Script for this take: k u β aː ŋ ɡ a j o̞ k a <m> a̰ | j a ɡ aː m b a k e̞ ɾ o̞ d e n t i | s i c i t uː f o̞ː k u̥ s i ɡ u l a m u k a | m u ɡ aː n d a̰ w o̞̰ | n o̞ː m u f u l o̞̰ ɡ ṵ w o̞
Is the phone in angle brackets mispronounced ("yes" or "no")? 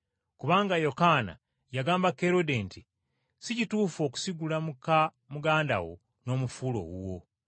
yes